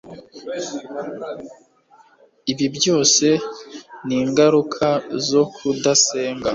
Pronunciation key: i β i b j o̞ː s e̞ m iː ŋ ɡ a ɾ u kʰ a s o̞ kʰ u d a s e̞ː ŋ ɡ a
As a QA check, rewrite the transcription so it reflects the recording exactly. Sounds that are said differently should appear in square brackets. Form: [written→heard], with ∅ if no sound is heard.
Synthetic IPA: i β i b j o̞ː s e̞ [m→n] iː ŋ ɡ a ɾ u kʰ a [s→z] o̞ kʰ u d a s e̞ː ŋ ɡ a